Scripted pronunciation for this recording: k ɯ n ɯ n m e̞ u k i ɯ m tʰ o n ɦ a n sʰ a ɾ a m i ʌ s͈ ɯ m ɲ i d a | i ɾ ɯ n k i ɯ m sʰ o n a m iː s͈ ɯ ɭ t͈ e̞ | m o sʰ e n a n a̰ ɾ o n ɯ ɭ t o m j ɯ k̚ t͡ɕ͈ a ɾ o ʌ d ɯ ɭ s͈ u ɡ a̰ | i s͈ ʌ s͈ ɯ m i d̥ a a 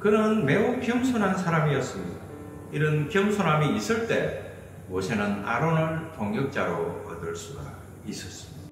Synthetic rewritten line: k ɯ n ɯ n m e̞ u k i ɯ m sʰ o n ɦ a n sʰ a ɾ a m i ʌ s͈ ɯ m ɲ i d a | i ɾ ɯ n k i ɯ m sʰ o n a m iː s͈ ɯ ɭ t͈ e̞ | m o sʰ e n a n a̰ ɾ o n ɯ ɭ t o ŋ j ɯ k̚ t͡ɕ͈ a ɾ o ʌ d ɯ ɭ s͈ u ɡ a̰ | i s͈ ʌ s͈ ɯ m i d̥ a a